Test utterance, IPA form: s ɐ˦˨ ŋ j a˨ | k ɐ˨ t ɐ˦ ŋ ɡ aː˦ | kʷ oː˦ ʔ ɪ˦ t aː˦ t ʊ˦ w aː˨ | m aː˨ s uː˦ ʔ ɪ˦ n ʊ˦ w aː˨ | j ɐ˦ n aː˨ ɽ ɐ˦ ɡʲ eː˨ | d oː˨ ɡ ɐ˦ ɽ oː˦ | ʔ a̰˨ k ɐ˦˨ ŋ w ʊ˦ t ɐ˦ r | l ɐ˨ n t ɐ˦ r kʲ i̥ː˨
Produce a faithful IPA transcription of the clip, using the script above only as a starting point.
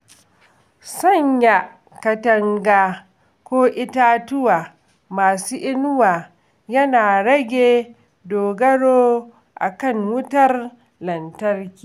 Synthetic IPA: s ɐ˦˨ ɲ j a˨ | k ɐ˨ t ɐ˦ ŋ ɡ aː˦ | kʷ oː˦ ʔ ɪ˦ t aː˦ t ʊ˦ w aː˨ | m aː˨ s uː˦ ʔ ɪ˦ n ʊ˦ w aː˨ | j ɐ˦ n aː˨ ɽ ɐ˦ ɡʲ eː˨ | d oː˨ ɡ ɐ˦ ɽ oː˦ | ʔ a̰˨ k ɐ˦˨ ŋ w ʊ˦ t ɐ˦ r | l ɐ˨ n t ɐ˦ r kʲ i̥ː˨